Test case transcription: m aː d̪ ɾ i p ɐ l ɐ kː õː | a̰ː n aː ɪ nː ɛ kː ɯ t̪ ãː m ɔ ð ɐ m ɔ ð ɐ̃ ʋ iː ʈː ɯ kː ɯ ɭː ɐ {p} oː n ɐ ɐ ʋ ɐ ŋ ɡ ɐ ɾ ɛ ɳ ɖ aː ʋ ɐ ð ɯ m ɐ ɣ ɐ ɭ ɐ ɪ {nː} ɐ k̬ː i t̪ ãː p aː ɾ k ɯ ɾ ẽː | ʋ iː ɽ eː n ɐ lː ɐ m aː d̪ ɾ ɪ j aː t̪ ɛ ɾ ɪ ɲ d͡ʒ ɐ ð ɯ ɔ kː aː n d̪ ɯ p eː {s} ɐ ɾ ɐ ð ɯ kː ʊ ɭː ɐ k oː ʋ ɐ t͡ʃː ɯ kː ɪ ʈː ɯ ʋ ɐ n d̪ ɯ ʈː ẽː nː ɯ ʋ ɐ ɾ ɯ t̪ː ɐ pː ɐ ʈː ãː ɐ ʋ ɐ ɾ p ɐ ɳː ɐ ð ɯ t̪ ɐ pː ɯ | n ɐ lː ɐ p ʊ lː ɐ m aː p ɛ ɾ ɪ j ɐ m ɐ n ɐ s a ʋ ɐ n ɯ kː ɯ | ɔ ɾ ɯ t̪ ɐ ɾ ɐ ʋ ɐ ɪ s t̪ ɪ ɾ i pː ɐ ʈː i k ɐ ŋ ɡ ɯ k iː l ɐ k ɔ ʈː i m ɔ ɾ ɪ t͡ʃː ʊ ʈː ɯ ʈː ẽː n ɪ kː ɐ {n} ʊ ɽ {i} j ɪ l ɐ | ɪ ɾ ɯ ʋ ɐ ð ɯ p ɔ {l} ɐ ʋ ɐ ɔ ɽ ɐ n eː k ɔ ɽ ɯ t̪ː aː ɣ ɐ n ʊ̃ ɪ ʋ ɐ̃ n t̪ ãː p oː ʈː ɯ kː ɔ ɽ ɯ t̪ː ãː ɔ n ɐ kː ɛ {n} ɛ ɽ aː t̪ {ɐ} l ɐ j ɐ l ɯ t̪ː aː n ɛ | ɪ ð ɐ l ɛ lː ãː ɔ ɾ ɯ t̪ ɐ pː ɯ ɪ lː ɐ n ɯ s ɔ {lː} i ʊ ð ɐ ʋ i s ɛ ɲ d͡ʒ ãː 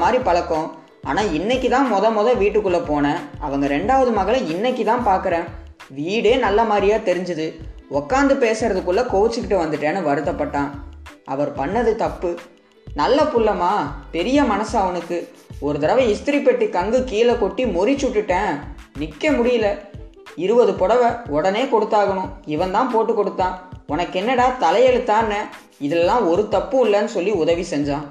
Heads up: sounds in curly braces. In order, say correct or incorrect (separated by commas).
correct, correct, correct, incorrect, incorrect, incorrect, incorrect, correct, correct